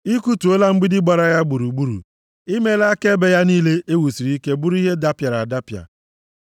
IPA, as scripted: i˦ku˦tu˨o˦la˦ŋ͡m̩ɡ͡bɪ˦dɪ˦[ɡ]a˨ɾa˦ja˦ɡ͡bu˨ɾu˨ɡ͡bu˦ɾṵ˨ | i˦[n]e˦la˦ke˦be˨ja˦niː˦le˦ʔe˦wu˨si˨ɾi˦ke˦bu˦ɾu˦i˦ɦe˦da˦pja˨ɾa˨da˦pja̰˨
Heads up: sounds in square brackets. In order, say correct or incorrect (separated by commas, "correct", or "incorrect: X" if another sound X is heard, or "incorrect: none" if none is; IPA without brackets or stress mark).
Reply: incorrect: ɡ͡b, incorrect: m